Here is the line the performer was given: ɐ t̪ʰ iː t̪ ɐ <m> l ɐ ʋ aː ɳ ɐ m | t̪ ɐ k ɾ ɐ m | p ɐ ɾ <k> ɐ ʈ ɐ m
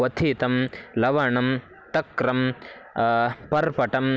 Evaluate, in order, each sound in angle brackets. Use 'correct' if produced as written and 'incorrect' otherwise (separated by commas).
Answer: correct, incorrect